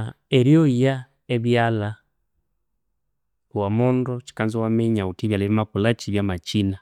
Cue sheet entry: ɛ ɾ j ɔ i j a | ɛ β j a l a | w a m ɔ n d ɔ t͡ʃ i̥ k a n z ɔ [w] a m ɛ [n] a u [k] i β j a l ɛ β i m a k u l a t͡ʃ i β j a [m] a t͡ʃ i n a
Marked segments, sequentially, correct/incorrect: correct, incorrect: ɲ, incorrect: t, correct

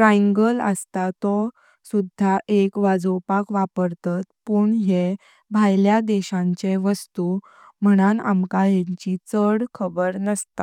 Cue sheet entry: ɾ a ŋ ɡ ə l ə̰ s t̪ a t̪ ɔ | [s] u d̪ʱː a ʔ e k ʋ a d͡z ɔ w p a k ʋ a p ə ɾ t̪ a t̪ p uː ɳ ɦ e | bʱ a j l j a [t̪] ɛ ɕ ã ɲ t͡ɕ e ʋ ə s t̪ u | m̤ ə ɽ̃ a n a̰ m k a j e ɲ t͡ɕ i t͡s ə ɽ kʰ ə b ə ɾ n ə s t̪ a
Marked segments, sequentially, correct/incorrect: correct, incorrect: d̪

